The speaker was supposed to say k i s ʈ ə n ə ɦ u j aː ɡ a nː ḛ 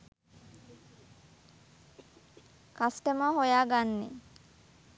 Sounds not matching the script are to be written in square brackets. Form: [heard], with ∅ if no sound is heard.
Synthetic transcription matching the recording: k [a] s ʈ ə [m] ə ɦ [o] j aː ɡ a nː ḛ